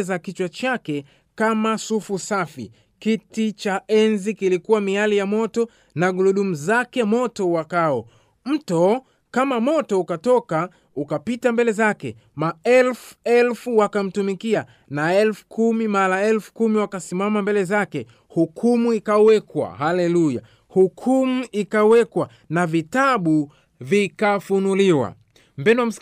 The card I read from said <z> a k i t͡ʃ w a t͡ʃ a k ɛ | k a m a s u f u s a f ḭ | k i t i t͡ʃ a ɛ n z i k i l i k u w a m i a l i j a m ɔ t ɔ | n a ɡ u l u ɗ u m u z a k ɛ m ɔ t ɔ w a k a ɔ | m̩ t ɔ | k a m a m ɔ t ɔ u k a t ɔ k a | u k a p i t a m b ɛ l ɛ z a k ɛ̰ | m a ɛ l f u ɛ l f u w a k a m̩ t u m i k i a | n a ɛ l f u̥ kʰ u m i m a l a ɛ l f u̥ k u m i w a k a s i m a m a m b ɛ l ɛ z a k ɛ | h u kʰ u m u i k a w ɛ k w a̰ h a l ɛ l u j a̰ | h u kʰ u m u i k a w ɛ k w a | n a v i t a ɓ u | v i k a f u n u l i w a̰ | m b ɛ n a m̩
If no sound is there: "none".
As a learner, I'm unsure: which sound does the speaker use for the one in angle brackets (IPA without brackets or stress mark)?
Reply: z